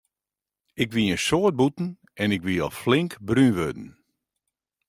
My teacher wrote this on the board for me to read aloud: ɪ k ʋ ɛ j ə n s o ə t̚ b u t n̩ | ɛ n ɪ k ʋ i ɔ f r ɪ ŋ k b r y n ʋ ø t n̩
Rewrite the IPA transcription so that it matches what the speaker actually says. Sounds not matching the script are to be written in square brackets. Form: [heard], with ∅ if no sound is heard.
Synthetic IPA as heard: ɪ k ʋ [i] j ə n s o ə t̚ b u t n̩ | ɛ n ɪ k ʋ i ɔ f [l] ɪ ŋ k b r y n ʋ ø [d] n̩